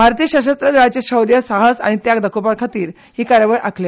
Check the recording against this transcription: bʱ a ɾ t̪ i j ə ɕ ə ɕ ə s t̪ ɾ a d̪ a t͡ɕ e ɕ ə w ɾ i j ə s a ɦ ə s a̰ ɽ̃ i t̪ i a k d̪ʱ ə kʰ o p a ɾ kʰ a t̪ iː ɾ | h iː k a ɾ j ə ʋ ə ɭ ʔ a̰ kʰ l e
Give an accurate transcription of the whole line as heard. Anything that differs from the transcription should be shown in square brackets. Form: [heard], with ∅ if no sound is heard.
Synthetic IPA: bʱ a ɾ t̪ i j ə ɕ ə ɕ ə s t̪ ɾ [ə] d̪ a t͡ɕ e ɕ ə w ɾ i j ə s a ɦ ə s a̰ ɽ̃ i t̪ [j] a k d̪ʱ ə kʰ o p a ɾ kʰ a t̪ iː ɾ | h iː k a ɾ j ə ʋ ə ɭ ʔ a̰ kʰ l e